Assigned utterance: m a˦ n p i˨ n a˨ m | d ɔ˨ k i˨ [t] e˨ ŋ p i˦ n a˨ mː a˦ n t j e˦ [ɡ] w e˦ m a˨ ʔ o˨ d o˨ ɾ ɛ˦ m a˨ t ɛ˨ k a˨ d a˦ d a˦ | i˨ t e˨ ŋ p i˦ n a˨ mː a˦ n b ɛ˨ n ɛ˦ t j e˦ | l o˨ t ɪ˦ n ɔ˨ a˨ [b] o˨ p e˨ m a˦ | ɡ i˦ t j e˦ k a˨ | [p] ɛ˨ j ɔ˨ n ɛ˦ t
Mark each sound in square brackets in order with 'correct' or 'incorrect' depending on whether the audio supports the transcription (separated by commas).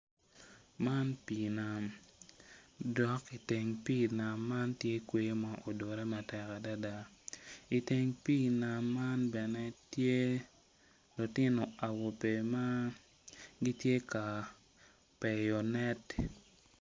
correct, incorrect, incorrect, correct